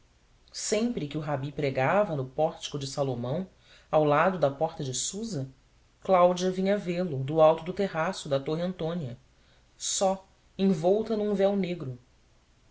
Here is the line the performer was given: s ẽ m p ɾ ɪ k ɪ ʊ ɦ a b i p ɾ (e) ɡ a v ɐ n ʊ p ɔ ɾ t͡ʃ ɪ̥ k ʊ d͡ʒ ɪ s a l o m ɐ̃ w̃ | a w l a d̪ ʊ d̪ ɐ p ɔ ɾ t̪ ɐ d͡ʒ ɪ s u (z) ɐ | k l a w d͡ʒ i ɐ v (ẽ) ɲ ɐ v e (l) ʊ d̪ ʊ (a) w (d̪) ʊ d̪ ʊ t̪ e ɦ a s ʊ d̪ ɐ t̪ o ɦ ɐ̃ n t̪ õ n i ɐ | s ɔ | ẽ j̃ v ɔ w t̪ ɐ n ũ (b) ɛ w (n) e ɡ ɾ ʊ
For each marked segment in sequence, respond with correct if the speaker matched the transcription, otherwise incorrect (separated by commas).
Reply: correct, correct, incorrect, correct, correct, incorrect, incorrect, correct